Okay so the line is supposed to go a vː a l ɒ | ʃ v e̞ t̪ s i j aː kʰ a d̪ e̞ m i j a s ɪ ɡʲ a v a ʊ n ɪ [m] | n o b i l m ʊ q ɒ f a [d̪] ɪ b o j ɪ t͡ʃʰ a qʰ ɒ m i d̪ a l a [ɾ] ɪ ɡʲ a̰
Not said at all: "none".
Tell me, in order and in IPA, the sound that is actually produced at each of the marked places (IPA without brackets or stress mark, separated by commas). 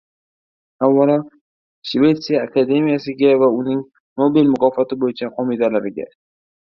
ŋ, t̪, ɾ